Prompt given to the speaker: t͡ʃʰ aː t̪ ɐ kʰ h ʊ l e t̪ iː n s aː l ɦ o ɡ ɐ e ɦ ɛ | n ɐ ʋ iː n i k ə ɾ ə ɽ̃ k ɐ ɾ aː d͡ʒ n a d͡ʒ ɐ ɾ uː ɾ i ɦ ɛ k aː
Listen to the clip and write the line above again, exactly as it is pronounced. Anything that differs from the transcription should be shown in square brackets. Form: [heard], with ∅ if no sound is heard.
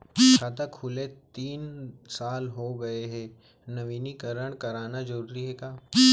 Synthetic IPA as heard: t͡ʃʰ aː t̪ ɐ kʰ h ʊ l e t̪ iː n s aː l ɦ o ɡ ɐ e ɦ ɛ | n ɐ ʋ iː n i k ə ɾ ə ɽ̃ k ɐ ɾ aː [∅] n a d͡ʒ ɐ ɾ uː ɾ i ɦ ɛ k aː